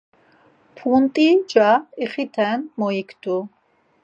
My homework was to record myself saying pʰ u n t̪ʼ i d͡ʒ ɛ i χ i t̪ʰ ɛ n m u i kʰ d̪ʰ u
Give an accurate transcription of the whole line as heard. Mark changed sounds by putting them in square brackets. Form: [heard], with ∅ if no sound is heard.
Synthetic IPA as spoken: pʰ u n t̪ʼ i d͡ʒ [a] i χ i t̪ʰ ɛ n m [ɔ] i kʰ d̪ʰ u